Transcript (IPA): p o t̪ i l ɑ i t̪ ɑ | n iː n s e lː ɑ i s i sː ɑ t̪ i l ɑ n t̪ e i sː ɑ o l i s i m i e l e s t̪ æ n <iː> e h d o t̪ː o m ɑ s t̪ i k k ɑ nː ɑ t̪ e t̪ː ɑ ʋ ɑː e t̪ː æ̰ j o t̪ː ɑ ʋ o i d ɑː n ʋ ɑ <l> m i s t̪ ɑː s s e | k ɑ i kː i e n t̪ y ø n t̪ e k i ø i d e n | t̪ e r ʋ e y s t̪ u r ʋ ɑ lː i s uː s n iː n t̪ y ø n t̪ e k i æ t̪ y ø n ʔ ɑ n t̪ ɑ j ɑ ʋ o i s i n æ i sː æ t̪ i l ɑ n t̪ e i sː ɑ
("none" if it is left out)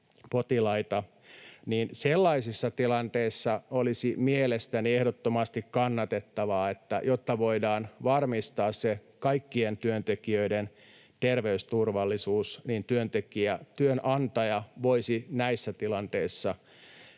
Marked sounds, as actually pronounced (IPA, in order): i, r

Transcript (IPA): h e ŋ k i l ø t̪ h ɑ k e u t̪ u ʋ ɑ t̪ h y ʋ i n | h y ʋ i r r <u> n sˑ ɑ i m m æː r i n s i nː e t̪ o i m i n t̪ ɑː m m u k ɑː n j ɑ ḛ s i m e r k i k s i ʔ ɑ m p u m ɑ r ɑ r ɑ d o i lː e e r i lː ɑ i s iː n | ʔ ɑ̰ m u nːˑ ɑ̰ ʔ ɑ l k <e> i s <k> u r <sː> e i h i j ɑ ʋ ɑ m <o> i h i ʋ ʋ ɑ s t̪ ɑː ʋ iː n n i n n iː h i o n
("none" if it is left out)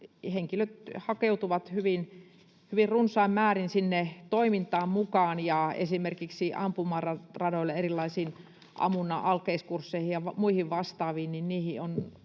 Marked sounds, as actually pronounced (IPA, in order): u, e, k, sː, u

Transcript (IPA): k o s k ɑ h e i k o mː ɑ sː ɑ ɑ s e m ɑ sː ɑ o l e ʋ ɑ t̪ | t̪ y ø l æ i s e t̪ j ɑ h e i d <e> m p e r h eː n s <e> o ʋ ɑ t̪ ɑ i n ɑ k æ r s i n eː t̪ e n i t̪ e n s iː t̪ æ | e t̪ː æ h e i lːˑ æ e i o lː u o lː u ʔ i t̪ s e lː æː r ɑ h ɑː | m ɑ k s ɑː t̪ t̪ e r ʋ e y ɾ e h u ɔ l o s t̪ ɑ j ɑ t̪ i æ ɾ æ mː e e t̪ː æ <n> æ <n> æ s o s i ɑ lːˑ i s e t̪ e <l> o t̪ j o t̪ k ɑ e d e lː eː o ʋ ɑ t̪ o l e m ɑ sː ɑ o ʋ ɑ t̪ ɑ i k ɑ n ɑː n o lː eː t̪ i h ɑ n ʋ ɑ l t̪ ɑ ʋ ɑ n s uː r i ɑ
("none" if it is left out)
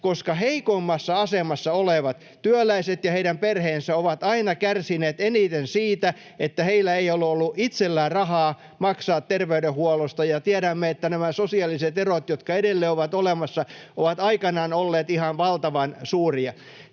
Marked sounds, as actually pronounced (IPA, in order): æ, æ, n, m, r

